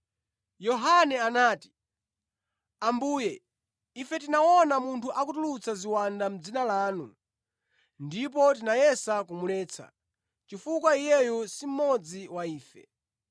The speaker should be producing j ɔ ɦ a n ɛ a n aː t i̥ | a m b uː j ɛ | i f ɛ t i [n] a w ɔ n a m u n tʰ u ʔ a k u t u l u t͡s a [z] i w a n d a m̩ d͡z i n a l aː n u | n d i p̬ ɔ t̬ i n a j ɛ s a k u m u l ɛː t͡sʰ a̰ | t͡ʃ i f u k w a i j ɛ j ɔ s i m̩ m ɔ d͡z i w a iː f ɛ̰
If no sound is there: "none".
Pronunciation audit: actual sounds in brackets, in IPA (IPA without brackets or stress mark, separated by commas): n, z